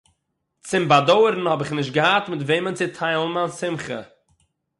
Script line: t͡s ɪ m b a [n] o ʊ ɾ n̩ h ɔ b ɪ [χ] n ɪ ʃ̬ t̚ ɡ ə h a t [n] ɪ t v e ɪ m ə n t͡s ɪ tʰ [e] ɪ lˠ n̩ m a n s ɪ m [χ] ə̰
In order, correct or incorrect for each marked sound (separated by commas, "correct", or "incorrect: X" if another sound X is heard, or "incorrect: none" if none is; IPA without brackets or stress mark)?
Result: incorrect: d, correct, incorrect: m, incorrect: a, correct